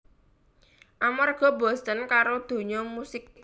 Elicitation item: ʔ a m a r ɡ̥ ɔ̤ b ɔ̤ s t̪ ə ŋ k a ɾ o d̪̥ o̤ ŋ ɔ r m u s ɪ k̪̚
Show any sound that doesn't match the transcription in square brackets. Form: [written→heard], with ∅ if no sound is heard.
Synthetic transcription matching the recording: ʔ a m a r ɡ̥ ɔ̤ b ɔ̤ s t̪ ə [ŋ→n] k a ɾ o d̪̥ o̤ [ŋ→ɲ] ɔ [r→∅] m u s ɪ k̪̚